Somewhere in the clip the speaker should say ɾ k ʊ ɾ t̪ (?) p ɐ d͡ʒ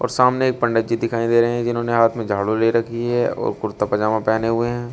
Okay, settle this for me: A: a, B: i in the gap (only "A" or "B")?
A